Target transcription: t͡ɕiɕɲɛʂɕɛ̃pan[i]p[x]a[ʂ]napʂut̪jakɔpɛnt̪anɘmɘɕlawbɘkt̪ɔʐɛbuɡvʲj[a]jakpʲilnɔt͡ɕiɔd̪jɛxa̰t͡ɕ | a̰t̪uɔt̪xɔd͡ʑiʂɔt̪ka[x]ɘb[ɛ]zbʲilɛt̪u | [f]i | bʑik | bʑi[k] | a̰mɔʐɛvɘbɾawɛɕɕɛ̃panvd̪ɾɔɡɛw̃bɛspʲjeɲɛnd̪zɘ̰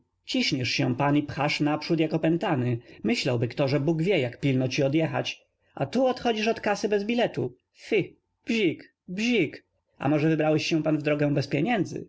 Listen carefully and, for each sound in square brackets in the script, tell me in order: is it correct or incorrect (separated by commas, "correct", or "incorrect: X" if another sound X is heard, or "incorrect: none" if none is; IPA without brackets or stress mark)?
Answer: correct, correct, correct, incorrect: ɛ, incorrect: s, correct, correct, correct